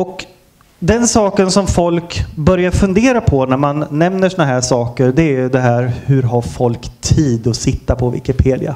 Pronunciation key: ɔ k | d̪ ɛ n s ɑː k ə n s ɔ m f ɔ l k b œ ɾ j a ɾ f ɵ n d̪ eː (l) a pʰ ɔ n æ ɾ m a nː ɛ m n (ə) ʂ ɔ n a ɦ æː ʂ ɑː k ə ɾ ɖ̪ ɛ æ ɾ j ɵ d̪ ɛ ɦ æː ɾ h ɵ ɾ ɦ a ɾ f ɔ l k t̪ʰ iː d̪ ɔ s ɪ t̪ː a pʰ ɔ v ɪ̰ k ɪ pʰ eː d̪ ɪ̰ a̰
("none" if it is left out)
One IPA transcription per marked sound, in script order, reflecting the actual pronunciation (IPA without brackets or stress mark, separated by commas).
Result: ɾ, ə